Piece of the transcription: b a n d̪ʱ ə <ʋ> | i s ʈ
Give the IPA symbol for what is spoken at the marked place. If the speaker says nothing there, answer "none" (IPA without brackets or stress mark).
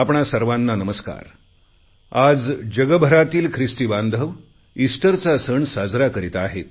ʋ